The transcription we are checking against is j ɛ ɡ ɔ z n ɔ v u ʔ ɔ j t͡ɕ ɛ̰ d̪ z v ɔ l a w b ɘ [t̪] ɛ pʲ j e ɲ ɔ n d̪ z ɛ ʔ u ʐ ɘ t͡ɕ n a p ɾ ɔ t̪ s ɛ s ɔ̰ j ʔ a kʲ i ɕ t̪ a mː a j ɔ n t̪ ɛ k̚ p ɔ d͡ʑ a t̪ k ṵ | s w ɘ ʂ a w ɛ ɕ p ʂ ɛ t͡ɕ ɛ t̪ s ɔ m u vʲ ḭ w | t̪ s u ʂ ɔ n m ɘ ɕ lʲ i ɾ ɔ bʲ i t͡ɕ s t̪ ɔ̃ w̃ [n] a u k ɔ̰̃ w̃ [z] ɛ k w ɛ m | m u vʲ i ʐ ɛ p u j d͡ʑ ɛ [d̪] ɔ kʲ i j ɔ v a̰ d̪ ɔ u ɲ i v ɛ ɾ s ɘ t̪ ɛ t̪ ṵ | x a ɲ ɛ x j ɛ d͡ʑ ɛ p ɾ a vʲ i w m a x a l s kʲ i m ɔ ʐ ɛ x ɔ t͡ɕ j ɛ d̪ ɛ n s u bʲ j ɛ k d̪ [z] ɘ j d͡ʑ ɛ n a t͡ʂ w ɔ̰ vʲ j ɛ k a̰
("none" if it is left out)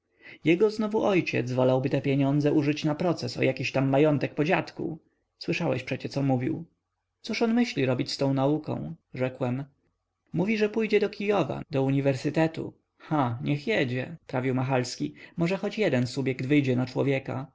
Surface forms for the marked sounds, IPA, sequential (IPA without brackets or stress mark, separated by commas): t̪, n, ʐ, d̪, v